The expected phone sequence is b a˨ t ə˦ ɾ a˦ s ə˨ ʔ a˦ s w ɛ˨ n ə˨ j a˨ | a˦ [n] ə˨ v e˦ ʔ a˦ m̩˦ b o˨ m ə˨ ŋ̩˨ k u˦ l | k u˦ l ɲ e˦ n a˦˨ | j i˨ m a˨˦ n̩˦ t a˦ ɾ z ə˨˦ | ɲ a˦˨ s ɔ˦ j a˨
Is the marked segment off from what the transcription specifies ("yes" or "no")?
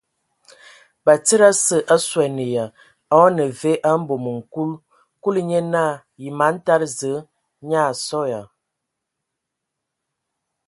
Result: no